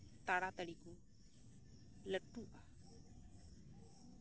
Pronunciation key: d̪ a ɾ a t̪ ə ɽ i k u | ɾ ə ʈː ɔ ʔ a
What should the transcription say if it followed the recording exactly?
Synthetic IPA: t̪ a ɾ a t̪ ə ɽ i k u | l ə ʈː u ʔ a

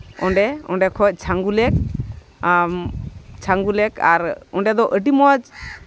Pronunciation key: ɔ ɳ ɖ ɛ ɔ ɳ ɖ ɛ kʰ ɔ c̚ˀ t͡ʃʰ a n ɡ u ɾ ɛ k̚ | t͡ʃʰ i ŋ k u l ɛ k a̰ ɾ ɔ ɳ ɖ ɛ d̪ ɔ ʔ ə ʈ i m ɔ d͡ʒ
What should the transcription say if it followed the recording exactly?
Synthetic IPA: ɔ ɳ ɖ ɛ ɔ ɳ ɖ ɛ kʰ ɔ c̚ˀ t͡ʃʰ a ŋ ɡ u l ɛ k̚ | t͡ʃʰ a ŋ ɡ u l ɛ k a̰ ɾ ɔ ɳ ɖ ɛ d̪ ɔ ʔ ə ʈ i m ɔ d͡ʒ

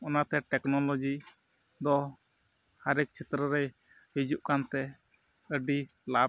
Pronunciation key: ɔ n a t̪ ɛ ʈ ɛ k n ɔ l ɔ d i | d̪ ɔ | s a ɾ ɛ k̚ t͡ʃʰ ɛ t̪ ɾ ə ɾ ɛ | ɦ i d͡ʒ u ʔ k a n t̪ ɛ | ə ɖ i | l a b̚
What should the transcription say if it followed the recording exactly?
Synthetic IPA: ɔ n a t̪ ɛ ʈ ɛ k n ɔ l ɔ d͡ʒ i | d̪ ɔ | h a ɾ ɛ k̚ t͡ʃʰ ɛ t̪ ɾ ə ɾ ɛ | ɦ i d͡ʒ u ʔ k a n t̪ ɛ | ə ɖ i | l a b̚

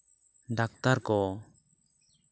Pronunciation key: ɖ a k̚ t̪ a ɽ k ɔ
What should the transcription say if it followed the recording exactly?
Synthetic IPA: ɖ a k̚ t̪ a ɾ k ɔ

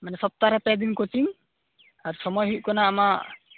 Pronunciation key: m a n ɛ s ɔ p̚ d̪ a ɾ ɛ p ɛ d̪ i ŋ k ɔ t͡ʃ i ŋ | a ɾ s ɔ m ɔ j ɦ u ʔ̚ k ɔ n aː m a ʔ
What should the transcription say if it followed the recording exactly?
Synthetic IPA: m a n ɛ s ɔ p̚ t̪ a ɾ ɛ p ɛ d̪ i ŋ k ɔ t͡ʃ i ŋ | a ɾ s ɔ m ɔ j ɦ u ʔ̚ k ɔ n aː m a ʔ

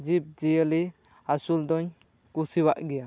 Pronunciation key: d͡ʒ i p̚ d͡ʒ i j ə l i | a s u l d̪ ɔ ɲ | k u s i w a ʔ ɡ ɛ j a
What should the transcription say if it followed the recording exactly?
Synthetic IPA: d͡ʒ i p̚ d͡ʒ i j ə l i | a s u l d̪ ɔ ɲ | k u s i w a ʔ ɡ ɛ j a

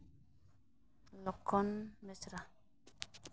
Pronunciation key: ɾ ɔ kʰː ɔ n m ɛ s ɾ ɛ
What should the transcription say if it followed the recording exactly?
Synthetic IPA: l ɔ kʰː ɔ n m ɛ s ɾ a

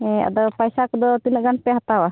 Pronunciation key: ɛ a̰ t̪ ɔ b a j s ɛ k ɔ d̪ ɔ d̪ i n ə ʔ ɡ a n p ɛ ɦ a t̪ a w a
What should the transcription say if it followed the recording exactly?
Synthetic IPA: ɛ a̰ d̪ ɔ p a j s a k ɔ d̪ ɔ t̪ i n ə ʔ ɡ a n p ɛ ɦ a t̪ a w a

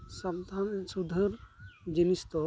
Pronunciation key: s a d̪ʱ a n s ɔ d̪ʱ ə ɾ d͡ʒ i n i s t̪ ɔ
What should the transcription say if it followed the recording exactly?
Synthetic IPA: s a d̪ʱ a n s u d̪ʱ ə ɾ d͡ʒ i n i s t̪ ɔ

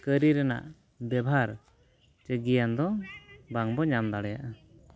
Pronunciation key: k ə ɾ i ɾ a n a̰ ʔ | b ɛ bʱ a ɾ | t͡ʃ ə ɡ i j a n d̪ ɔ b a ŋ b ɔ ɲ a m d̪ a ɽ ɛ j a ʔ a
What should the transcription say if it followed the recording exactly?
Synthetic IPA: k ə ɾ i ɾ ɛ n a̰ ʔ | b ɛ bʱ a ɾ | t͡ʃ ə ɡ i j a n d̪ ɔ b a ŋ b ɔ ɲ a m d̪ a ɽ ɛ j a ʔ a

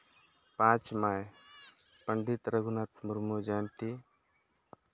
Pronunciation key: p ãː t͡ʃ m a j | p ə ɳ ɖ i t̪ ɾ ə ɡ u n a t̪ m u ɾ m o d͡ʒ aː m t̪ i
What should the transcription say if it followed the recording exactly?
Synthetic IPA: p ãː t͡ʃ m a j | p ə ɳ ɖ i t̪ ɾ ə ɡ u n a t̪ m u ɾ m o d͡ʒ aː n t̪ i

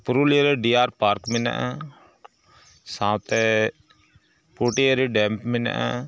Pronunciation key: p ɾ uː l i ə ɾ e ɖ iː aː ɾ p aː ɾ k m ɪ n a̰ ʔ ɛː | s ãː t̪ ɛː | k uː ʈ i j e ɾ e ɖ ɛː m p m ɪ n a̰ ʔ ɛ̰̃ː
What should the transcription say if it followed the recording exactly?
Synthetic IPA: p ɾ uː l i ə ɾ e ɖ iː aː ɾ p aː ɾ k m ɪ n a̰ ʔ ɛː | s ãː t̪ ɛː | p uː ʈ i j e ɾ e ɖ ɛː m p m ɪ n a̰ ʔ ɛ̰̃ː

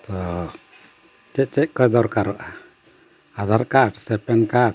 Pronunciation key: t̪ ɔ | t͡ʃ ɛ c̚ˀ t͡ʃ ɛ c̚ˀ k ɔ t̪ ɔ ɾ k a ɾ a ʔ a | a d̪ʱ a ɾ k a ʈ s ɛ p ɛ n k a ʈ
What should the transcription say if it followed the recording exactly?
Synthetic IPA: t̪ ɔ | t͡ʃ ɛ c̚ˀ t͡ʃ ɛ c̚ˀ k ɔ d̪ ɔ ɾ k a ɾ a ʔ a | a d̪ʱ a ɾ k a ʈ s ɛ p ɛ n k a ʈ

